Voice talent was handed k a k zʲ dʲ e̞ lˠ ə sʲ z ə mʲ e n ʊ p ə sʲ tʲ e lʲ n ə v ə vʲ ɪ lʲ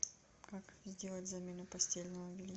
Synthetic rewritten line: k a k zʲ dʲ e̞ lˠ ə tʲ z ɐ mʲ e n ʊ p ɐ sʲ tʲ e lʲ n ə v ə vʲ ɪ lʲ